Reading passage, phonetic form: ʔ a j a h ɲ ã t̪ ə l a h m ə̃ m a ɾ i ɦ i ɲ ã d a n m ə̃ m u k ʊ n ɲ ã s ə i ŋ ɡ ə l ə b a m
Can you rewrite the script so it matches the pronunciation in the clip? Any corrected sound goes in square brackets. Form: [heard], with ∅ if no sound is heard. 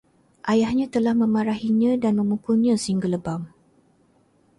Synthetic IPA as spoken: ʔ a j a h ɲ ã t̪ ə l a h m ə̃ m a ɾ [a] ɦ i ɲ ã d a n m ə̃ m u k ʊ n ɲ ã s ə i ŋ ɡ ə l ə b a m